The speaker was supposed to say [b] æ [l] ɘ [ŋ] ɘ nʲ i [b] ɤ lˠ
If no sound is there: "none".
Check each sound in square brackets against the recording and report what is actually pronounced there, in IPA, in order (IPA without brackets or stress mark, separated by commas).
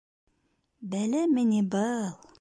b, l, m, b